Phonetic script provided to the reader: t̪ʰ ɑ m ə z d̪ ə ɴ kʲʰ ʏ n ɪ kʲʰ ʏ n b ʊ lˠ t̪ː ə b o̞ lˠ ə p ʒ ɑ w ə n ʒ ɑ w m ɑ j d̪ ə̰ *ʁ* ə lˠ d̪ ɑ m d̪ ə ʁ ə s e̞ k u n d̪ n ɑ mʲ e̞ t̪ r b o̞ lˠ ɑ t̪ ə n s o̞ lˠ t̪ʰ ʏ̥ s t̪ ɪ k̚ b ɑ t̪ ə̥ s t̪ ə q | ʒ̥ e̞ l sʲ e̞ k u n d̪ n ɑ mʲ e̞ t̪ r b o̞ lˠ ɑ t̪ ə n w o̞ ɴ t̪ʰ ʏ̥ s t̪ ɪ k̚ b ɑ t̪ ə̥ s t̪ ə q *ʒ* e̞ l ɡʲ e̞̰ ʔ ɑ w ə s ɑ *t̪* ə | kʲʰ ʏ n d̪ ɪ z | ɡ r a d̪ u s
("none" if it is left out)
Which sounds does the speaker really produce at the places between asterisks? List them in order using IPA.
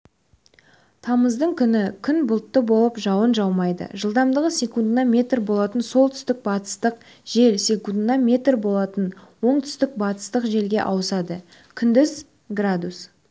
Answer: ʒ, ʒ, d̪

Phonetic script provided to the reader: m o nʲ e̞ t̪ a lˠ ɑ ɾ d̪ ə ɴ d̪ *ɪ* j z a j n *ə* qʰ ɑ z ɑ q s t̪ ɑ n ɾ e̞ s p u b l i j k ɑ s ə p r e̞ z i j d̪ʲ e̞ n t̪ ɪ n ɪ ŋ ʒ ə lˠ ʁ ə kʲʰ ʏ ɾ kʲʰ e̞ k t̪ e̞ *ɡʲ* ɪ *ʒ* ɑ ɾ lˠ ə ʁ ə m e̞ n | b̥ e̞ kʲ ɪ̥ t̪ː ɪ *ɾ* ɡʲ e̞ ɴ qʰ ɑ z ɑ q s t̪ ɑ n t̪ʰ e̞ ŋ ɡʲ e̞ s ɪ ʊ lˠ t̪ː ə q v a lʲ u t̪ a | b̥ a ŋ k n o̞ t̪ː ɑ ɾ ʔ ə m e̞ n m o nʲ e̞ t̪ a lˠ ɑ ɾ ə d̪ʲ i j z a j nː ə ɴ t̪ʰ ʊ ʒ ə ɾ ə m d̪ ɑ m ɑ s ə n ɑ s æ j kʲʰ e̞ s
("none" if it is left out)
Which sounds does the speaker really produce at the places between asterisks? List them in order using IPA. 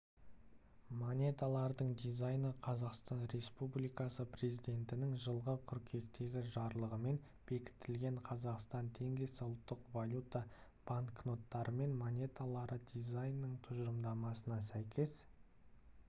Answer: i, ə, ɡʲ, ʒ, l

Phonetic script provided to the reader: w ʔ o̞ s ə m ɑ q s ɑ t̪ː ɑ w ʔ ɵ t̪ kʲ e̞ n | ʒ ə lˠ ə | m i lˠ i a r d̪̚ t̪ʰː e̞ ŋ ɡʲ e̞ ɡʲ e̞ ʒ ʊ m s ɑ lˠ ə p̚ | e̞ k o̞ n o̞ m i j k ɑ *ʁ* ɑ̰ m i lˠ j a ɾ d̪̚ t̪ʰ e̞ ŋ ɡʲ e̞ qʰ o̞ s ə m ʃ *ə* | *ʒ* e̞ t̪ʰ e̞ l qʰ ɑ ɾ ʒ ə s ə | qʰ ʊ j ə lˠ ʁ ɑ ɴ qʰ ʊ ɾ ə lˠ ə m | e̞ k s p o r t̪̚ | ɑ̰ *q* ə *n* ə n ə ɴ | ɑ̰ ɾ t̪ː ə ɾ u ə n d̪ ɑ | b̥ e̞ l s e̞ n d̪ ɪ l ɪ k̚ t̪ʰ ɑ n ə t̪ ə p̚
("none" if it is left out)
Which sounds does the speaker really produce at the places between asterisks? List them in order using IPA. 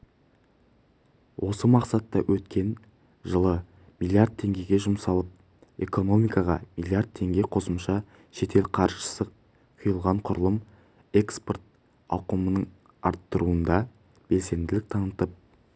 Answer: ʁ, ɑ, ʃ, q, m

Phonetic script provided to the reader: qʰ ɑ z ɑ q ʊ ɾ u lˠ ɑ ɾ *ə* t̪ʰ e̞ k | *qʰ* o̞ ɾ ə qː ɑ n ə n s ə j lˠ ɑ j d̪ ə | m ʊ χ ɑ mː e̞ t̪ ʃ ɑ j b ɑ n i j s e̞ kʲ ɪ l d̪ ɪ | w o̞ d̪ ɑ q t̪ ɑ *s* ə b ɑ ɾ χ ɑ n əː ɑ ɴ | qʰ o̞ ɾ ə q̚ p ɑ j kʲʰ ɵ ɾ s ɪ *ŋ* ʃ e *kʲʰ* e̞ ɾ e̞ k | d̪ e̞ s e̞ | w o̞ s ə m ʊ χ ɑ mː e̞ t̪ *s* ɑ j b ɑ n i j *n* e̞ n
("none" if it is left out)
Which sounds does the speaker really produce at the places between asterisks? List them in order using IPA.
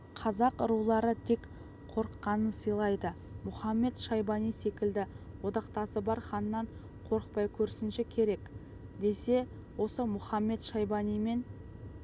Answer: ə, qʰ, s, n, kʲʰ, ʃ, m

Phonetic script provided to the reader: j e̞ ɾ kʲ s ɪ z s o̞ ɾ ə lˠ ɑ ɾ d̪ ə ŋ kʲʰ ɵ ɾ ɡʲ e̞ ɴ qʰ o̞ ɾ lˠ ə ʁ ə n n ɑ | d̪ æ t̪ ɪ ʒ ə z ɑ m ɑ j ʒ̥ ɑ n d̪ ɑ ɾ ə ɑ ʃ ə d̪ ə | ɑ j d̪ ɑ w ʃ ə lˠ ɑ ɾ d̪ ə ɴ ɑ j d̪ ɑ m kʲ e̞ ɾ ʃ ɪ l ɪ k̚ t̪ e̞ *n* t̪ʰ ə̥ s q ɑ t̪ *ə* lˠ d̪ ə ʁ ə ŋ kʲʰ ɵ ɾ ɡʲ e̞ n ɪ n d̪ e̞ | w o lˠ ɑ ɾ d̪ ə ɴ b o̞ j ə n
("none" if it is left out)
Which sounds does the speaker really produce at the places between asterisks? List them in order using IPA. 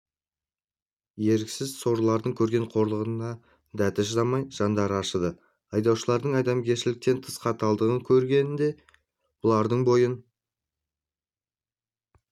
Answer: n, ɑ

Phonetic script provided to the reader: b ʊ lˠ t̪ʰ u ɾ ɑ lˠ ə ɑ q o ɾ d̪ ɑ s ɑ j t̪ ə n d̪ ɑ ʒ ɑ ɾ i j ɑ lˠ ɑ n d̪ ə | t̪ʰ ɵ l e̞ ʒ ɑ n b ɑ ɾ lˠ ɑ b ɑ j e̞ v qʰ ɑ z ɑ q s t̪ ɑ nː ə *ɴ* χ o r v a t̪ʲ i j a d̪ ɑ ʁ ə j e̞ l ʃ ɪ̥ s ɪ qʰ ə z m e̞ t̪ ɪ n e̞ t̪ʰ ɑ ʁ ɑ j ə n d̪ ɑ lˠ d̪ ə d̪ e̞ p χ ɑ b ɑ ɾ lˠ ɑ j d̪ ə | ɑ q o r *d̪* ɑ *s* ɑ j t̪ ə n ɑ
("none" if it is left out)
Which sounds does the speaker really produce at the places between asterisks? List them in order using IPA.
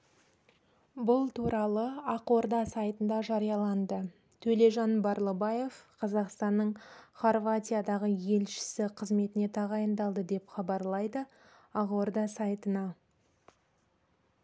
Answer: ɴ, d̪, s

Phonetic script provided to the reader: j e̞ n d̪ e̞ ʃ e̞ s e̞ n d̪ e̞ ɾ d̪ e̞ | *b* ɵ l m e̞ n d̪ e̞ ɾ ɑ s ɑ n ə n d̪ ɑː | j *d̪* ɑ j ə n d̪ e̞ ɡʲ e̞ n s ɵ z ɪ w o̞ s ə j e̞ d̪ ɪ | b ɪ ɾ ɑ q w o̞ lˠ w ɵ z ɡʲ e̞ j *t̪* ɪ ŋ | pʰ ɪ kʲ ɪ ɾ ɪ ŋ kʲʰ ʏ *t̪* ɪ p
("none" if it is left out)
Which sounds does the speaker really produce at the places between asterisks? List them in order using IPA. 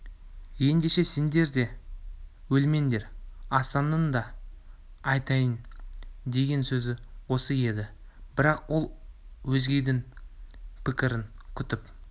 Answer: w, t̪, d̪, t̪

